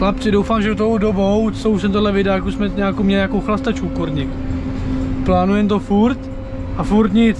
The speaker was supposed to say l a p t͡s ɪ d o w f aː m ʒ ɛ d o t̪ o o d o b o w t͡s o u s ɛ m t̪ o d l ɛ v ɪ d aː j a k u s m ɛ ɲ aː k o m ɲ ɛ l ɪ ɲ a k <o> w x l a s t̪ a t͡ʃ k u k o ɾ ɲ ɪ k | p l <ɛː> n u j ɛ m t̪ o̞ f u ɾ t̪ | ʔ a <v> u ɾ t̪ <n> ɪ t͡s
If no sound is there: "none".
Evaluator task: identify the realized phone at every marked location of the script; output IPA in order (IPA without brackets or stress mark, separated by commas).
o, aː, f, ɲ